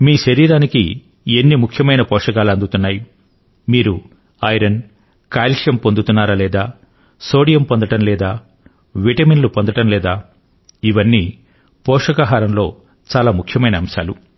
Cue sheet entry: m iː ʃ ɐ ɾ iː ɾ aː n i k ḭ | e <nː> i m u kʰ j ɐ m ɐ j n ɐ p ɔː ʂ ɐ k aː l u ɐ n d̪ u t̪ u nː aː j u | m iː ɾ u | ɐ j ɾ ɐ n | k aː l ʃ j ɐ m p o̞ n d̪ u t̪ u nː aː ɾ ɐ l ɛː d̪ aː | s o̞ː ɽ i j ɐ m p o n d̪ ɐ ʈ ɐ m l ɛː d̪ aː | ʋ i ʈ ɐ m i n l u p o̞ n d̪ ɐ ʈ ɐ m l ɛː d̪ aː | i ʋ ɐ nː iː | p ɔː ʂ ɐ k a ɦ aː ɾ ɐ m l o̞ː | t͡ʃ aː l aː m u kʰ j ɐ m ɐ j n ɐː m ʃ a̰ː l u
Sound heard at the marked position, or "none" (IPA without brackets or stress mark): nː